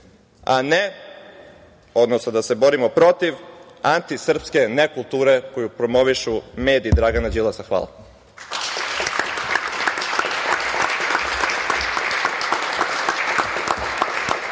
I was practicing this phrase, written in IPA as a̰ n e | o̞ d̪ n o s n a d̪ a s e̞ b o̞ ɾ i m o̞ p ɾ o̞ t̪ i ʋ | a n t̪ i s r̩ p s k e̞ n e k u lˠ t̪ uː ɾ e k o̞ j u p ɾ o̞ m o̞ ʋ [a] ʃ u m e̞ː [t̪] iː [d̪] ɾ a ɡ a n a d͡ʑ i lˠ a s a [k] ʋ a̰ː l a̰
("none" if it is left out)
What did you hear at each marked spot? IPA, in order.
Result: i, d̪, d̪, x

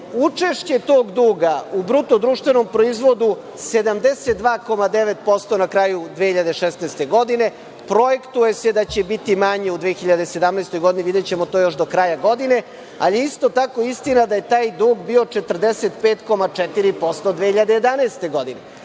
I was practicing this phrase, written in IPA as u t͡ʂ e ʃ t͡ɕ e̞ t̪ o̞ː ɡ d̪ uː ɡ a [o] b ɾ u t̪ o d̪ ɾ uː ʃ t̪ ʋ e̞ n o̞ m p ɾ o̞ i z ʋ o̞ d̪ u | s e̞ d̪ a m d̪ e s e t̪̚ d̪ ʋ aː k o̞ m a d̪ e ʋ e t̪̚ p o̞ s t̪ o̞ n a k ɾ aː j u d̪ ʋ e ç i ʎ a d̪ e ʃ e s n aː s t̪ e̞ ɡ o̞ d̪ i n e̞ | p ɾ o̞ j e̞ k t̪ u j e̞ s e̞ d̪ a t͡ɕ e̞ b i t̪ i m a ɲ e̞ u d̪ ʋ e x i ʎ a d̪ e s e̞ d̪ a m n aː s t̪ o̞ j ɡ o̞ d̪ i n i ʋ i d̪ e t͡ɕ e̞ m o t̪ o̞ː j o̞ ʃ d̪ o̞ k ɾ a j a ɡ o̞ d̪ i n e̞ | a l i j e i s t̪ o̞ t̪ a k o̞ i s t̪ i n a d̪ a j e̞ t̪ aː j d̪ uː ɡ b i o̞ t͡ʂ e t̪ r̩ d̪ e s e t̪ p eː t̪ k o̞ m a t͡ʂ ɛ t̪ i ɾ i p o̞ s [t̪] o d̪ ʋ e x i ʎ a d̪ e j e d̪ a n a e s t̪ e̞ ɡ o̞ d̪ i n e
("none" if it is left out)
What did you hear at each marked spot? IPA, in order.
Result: u, t̪

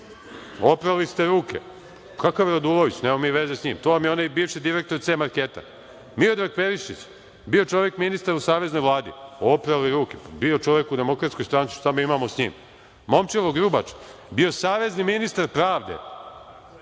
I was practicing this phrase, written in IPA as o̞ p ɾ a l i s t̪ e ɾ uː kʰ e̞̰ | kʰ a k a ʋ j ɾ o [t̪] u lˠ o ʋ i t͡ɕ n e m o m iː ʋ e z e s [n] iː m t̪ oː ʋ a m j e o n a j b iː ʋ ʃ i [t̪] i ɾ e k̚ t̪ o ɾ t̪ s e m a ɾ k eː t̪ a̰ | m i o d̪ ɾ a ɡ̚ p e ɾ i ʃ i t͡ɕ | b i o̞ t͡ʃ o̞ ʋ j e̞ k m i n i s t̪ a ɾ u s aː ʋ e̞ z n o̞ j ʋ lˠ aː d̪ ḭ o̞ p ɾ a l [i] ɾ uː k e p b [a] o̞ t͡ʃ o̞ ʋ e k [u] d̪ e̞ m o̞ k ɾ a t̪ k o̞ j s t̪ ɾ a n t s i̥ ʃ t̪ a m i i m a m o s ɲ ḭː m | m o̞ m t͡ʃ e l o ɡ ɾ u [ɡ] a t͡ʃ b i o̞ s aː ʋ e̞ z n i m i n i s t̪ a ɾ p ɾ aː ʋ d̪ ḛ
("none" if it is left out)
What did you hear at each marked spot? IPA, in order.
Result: d̪, ɲ, d̪, i, i, u, b

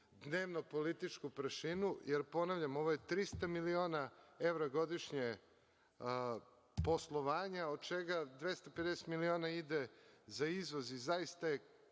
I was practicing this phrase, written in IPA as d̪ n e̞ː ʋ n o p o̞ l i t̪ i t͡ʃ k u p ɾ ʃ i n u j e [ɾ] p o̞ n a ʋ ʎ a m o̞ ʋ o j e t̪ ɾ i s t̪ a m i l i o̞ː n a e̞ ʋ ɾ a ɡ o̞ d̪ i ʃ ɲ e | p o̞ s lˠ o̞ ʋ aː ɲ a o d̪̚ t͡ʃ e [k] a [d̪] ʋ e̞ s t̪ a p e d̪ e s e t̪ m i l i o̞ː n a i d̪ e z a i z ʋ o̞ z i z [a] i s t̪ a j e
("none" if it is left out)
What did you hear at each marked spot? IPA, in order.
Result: ɾ, ɡ, d̪, a

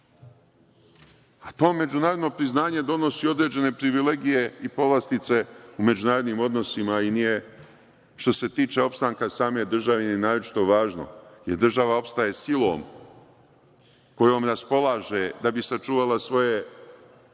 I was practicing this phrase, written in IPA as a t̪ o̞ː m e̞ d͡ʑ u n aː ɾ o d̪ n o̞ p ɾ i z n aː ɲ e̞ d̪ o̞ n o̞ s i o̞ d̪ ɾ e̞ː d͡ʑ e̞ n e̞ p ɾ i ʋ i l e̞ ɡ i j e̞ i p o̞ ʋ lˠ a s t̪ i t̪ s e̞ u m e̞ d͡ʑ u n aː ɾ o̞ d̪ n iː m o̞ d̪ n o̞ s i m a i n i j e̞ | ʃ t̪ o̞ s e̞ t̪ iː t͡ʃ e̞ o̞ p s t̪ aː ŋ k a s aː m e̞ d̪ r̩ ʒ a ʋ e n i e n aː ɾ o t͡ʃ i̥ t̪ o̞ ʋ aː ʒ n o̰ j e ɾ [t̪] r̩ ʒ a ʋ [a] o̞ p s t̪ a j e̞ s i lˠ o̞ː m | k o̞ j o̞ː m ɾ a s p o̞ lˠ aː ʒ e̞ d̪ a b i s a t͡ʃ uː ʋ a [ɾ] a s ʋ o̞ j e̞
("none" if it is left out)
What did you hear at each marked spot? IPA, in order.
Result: d̪, a, l

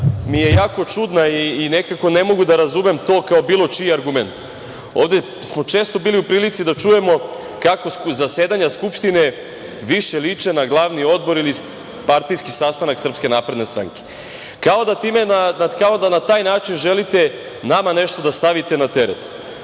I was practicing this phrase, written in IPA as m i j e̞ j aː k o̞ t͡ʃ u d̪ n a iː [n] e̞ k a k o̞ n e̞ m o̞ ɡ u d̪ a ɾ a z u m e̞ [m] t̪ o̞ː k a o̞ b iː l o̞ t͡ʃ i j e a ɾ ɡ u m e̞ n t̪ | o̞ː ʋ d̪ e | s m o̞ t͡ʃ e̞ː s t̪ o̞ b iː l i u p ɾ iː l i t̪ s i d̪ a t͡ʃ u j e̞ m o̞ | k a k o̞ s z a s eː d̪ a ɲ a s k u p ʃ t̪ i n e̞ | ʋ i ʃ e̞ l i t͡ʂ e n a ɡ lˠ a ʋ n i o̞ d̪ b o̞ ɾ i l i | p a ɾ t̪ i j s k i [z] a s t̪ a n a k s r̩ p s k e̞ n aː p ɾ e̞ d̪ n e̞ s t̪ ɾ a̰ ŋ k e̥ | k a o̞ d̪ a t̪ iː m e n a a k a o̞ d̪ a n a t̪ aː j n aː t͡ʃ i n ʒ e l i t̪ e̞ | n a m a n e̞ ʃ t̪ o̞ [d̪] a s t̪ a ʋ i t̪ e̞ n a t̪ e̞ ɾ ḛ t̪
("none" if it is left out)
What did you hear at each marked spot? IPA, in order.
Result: n, m, s, d̪

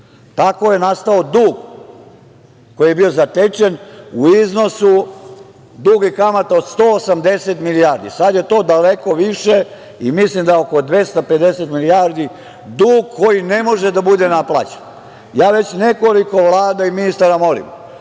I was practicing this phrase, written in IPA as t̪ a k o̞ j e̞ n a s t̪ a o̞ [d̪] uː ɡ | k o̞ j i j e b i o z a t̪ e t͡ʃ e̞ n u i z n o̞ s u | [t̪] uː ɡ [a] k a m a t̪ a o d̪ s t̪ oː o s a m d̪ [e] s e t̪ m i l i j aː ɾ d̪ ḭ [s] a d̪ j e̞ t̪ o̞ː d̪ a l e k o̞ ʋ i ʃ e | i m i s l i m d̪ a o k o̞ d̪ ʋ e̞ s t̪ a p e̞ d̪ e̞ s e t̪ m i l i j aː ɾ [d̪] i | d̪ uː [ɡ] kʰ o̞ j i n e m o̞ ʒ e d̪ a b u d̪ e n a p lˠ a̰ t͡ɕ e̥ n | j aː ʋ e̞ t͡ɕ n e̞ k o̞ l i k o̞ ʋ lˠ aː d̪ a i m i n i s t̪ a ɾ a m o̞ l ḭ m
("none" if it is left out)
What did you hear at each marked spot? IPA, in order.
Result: d̪, d̪, i, e, s, d̪, ɡ

